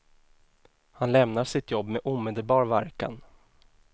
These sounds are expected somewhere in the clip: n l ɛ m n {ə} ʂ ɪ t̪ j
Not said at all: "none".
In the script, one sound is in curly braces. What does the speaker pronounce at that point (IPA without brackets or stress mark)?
a